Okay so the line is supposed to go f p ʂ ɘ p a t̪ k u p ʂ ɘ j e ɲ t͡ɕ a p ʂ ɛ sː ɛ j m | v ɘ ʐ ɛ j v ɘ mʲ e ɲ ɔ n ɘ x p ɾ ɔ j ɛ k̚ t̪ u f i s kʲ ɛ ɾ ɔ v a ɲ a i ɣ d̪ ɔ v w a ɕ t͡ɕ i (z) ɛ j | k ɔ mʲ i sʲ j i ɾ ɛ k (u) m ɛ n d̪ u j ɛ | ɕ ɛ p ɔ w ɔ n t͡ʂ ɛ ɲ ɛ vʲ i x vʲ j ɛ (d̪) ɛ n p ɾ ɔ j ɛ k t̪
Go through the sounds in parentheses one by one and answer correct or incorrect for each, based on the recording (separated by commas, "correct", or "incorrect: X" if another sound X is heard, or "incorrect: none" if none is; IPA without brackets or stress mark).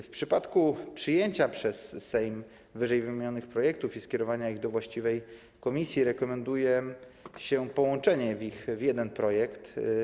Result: incorrect: v, incorrect: ɔ, correct